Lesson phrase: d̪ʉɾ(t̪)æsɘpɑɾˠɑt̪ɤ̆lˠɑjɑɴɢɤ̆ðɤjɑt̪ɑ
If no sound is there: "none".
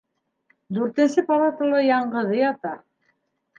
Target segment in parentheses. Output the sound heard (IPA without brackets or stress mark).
t̪